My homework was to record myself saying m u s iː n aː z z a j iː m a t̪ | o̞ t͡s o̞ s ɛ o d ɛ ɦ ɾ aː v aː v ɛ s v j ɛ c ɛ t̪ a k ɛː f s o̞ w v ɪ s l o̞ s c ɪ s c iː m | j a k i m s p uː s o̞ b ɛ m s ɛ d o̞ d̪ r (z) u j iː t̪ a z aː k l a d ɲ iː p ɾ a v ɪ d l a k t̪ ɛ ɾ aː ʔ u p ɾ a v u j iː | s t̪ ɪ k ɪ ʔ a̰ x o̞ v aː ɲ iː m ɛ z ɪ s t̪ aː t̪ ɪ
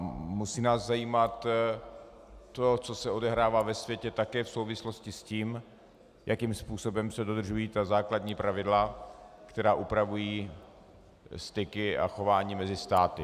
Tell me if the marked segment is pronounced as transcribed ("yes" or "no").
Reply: no